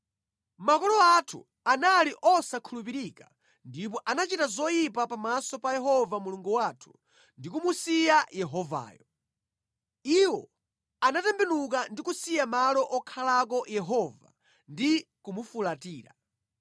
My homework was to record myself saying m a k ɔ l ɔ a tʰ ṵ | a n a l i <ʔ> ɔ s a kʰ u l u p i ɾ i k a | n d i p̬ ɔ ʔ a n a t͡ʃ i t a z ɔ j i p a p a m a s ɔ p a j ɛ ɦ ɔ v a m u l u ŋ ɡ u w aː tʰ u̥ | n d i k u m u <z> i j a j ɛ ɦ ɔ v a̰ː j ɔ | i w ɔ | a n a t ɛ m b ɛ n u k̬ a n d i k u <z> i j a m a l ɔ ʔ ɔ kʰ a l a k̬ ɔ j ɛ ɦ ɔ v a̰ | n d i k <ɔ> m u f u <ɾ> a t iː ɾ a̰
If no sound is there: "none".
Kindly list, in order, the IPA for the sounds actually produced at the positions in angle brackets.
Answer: ʔ, s, s, u, l

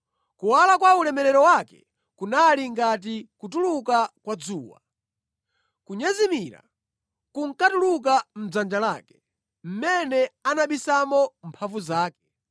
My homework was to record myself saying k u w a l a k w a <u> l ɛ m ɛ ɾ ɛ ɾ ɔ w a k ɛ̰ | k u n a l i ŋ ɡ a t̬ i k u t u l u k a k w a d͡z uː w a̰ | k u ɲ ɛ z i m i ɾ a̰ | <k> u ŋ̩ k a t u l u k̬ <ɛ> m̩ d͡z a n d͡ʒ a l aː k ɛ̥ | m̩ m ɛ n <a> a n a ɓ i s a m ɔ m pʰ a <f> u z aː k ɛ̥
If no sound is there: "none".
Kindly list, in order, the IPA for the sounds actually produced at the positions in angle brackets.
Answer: u, k, a, ɛ, v

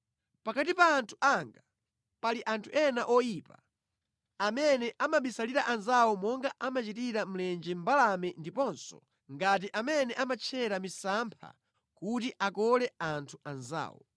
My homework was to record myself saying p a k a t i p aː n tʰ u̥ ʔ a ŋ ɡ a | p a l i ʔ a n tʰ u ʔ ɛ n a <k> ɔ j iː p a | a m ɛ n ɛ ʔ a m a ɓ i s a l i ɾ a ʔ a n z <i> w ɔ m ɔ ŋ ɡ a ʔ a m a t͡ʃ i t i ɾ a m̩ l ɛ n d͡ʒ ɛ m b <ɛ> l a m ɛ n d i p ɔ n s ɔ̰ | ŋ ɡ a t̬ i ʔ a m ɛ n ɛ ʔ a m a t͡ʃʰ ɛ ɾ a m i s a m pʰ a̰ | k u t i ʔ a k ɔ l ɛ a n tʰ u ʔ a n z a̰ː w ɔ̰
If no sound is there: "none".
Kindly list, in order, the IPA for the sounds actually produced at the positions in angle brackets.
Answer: ʔ, a, a

